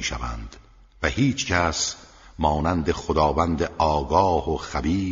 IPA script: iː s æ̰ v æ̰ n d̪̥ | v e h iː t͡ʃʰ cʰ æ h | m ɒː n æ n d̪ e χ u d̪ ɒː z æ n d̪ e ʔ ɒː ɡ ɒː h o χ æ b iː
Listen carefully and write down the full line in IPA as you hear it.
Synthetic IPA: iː ʃ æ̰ v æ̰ n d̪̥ | v æ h iː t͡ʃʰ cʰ æ s | m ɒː n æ n d̪ e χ o d̪ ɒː v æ n d̪ e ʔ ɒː ɡ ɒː h o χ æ b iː